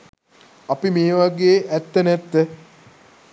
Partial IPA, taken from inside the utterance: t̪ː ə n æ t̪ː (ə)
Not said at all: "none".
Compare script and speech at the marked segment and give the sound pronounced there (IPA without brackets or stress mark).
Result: ə